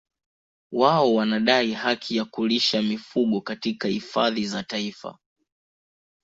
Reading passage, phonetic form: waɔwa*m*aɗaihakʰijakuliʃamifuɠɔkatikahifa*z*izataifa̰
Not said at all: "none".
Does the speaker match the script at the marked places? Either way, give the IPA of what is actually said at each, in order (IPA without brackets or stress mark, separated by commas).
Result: n, ð